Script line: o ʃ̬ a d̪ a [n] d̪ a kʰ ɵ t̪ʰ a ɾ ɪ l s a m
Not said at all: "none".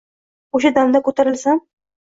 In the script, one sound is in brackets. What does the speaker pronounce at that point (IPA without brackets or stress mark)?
m